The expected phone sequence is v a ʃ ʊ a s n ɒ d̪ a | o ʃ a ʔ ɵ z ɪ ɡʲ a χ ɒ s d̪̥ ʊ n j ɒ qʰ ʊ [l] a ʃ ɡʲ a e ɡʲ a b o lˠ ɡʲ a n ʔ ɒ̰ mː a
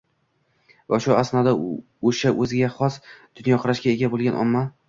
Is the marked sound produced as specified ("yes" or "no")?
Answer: no